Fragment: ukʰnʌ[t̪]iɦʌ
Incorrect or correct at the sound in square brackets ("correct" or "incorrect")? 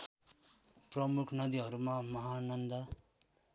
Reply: incorrect